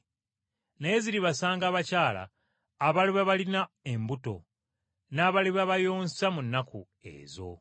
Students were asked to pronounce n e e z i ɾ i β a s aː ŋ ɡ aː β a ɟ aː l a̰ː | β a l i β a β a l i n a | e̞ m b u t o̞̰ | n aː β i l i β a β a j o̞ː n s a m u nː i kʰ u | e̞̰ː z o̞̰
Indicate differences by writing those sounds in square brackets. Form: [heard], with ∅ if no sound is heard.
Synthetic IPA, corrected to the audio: n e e z i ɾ i β a s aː ŋ ɡ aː β a [c] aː l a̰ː | β a l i β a β a l i n a | e̞ m b u t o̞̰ | n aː β [a] l i β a β a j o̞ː n s a m u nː [a] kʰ u | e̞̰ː z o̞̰

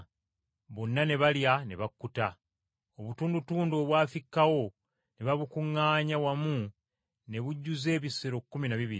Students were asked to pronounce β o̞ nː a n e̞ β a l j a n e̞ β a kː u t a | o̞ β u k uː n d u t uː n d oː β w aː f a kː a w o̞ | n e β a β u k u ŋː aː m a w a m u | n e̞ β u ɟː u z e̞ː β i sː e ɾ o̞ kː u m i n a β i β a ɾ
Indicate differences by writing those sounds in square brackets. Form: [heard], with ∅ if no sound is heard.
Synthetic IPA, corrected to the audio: β o̞ nː a n e̞ β a l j a n e̞ β a kː u t a | o̞ β u [t] uː n d u t uː n d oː β w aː f [i] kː a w o̞ | n e β a β u k u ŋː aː [ɲ] a w a m u | n e̞ β u ɟː u z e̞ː β i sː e ɾ o̞ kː u m i n a β i β [i] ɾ

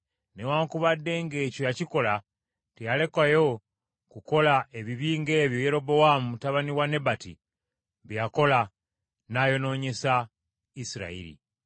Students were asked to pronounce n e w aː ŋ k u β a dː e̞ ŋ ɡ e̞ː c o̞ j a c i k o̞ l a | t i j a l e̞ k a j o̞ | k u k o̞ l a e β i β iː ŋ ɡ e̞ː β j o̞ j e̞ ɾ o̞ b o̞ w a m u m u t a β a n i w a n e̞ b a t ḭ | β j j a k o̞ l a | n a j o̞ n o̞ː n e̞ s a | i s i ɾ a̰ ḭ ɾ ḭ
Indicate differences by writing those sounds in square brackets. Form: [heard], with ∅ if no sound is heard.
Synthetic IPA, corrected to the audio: n e w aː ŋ k u β a dː e̞ ŋ ɡ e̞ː c o̞ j a c i k o̞ l a | t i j a l e̞ k a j o̞ | k u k o̞ l a e β i β iː ŋ ɡ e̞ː β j o̞ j e̞ ɾ o̞ b o̞ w a m u m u t a β a n i w a n e̞ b a t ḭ | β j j a k o̞ l a | n a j o̞ n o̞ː [ɲ] e̞ s a | i s i ɾ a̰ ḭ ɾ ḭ

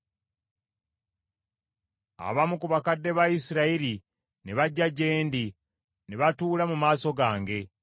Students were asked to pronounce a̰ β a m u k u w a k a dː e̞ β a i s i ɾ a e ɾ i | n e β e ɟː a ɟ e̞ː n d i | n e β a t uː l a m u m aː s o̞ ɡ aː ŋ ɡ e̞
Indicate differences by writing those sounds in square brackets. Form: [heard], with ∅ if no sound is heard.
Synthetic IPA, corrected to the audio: a̰ β a m u k u [β] a k a dː e̞ β a i s i ɾ a [i] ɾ i | n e β [a] ɟː a ɟ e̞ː n d i | n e β a t uː l a m u m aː s o̞ ɡ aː ŋ ɡ e̞

